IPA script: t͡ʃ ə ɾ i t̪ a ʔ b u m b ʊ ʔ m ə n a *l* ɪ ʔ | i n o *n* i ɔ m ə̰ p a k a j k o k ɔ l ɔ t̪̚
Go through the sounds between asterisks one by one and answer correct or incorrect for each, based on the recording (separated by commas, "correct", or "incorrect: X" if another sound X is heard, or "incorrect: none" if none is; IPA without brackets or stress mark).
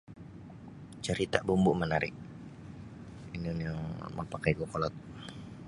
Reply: incorrect: ɾ, correct